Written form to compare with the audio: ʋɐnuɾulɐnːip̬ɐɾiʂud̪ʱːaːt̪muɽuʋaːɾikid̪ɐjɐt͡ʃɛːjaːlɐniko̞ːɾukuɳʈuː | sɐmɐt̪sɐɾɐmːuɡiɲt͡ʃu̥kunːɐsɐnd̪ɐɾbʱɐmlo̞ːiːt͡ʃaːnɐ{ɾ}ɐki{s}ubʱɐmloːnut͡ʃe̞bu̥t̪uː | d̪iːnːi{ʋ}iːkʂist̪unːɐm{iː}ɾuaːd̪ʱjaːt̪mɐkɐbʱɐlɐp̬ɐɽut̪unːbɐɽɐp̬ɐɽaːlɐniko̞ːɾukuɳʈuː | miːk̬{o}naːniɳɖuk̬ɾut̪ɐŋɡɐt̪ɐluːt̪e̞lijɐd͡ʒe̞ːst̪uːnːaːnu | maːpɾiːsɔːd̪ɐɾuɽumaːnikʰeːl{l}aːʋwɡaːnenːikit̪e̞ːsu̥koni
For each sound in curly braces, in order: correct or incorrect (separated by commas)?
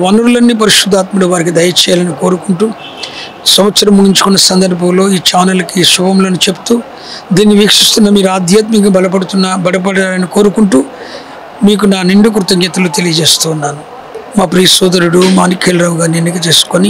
incorrect, incorrect, correct, correct, incorrect, incorrect